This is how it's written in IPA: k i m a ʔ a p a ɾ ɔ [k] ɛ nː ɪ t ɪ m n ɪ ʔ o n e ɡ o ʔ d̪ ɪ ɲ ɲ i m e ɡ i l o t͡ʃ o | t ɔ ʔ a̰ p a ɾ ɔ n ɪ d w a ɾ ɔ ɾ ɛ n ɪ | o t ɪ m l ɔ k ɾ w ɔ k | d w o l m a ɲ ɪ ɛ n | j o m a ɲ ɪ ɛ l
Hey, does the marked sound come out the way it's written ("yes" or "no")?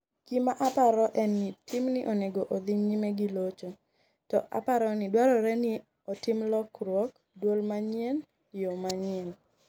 no